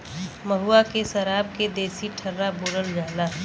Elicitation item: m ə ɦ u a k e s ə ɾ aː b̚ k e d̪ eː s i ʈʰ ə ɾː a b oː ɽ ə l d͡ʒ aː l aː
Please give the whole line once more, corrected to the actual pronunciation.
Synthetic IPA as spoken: m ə ɦ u a k e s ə ɾ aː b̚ k e d̪ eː s i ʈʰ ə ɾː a b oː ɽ ə l d͡ʒ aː l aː